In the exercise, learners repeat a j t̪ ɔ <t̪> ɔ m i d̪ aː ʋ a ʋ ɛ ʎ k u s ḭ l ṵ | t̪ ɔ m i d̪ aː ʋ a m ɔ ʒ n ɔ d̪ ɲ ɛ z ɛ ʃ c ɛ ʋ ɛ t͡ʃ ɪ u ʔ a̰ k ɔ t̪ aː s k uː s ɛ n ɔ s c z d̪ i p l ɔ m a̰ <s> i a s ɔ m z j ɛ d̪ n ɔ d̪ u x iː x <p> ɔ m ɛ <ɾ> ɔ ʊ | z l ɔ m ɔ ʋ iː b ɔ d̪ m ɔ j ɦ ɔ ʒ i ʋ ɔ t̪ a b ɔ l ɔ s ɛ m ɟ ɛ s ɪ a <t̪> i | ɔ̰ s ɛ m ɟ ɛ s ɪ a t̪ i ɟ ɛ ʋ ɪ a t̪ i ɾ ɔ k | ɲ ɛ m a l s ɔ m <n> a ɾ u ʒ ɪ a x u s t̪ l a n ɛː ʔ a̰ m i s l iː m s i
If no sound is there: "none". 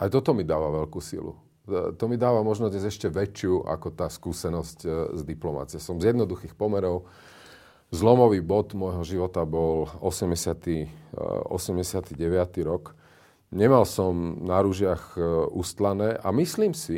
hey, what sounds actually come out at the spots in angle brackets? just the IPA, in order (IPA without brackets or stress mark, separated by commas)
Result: t̪, t͡s, p, ɾ, t̪, n